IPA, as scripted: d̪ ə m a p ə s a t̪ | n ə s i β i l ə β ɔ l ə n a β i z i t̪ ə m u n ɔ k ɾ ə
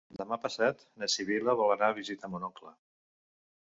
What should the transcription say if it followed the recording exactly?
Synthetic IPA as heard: d̪ ə m a p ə s a t̪ | n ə s i β i l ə β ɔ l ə n a β i z i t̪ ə m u n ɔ k l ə